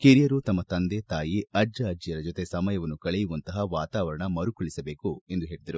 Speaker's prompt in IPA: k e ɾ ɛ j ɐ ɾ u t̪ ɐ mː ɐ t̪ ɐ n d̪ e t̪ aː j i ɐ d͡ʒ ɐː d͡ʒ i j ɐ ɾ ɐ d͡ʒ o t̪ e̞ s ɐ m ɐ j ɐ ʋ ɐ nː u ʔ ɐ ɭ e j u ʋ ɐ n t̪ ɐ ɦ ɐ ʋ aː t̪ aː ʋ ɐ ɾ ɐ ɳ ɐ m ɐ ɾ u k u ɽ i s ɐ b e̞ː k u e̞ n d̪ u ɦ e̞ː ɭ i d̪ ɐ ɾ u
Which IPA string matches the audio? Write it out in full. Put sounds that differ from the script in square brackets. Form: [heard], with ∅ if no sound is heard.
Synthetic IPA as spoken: k e ɾ [i] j ɐ ɾ u t̪ ɐ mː ɐ t̪ ɐ n d̪ e t̪ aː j i ɐ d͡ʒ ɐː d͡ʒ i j ɐ ɾ ɐ d͡ʒ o t̪ e̞ s ɐ m ɐ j ɐ ʋ ɐ nː u [k] ɐ ɭ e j u ʋ ɐ n t̪ ɐ ɦ ɐ ʋ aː t̪ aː ʋ ɐ ɾ ɐ ɳ ɐ m ɐ ɾ u k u [ɭ] i s ɐ b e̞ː k u e̞ n d̪ u ɦ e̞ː ɭ i d̪ ɐ ɾ u